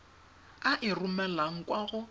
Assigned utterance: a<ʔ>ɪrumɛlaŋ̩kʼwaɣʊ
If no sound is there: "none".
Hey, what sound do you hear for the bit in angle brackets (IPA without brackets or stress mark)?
ʔ